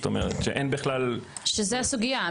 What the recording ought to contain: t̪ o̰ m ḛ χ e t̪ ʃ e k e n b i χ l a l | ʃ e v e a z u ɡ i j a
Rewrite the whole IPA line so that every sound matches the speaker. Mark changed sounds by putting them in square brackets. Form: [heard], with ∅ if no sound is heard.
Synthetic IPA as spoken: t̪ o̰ m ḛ [ʁ] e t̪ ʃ e [ʔ] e n b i χ l a l | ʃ e [z] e a [s] u ɡ i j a